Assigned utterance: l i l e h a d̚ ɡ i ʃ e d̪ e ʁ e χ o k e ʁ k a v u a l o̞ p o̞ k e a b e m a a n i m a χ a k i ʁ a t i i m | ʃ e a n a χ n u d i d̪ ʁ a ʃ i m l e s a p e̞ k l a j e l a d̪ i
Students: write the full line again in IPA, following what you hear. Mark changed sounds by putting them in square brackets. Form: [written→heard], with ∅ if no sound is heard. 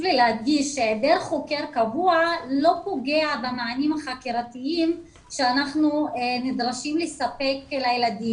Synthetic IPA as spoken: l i l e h a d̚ ɡ i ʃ e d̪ e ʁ e χ o k e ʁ k a v u a l o̞ p o̞ [k→ɡ] e a b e m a a n i m a χ a k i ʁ a t i i m | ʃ e a n a χ n u [d→n] i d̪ ʁ a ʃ i m l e s a p e̞ k l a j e l a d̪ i